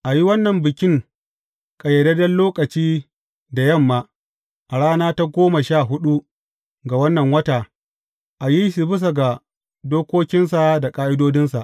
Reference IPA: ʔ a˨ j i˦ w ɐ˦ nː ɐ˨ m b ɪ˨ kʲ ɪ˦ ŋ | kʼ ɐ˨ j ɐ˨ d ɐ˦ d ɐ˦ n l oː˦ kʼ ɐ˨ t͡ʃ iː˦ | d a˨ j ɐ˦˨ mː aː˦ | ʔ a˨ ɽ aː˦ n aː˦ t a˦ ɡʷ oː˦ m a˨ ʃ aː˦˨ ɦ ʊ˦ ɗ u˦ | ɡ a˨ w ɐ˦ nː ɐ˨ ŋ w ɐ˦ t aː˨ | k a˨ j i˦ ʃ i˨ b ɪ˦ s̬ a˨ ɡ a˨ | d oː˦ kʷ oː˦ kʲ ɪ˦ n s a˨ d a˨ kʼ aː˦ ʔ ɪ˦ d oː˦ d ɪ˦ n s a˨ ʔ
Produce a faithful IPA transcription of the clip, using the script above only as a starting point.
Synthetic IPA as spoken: ʔ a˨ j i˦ w ɐ˦ nː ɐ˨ m b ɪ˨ kʲ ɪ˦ ŋ | kʼ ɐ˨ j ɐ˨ d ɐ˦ d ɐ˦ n l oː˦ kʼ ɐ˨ t͡ʃ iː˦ | d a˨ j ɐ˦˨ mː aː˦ | ʔ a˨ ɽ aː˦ n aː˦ t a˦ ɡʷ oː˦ m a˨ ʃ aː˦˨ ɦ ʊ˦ ɗ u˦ | ɡ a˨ w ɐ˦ nː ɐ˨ ŋ w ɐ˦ t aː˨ | ʔ a˨ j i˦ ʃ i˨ b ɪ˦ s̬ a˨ ɡ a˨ | d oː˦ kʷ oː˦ kʲ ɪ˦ n s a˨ d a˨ kʼ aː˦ ʔ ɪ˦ d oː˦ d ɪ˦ n s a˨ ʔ